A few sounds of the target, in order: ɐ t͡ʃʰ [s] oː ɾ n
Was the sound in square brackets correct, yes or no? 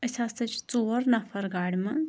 no